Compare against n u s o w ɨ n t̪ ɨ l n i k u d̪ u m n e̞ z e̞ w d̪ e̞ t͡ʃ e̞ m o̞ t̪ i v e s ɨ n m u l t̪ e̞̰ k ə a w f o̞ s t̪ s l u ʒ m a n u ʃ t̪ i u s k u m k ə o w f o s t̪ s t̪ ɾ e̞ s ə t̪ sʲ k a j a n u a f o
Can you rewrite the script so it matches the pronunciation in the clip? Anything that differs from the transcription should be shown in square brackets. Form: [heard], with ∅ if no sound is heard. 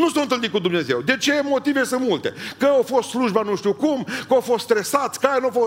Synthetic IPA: n u s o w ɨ n t̪ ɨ l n i k u d̪ u m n e̞ z e̞ w d̪ e̞ t͡ʃ e̞ m o̞ t̪ i v e s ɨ n m u l t̪ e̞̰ k ə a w f o̞ s t̪ s l u ʒ [b] a n u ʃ t̪ i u [∅] k u m k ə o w f o s t̪ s t̪ ɾ e̞ s [a] t̪ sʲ k a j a n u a f o